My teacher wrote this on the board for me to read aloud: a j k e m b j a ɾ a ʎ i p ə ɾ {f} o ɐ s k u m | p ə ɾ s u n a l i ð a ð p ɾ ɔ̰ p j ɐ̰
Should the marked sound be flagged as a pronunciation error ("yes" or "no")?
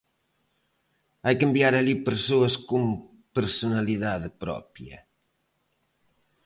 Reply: yes